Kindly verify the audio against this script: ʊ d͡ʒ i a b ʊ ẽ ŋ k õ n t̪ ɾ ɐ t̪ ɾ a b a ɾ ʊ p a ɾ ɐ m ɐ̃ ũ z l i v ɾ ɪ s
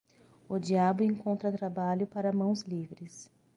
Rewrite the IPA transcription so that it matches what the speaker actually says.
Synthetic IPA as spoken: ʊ d͡ʒ i a b ʊ ẽ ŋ k õ n t̪ ɾ ɐ t̪ ɾ a b a ʎ ʊ p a ɾ ɐ m ɐ̃ w̃ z l i v ɾ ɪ s